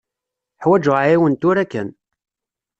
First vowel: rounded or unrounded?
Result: unrounded